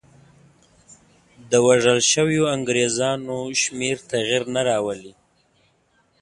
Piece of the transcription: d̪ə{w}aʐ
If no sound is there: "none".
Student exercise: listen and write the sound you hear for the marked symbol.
w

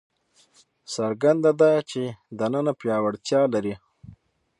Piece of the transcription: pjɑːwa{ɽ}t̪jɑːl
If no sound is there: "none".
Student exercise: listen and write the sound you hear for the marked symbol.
ɽ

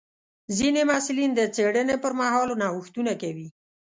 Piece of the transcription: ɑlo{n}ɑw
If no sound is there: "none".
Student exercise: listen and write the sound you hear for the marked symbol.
n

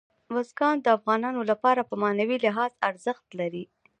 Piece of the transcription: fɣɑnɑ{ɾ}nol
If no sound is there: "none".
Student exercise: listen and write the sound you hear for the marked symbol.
none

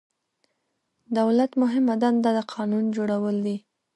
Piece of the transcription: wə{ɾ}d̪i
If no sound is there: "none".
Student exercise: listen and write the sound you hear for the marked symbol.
l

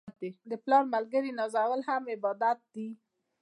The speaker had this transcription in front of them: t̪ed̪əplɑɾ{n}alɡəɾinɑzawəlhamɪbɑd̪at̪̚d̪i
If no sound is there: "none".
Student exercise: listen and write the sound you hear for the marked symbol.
m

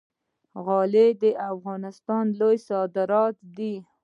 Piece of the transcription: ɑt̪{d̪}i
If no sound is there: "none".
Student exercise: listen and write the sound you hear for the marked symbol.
d̪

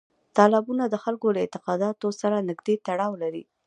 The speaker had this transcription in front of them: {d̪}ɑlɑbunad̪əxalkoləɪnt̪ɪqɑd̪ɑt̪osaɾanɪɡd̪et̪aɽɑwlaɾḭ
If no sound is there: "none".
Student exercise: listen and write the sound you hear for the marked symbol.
t̪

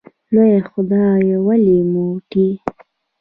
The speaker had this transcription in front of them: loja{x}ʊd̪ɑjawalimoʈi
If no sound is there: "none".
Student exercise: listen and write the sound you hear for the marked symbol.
x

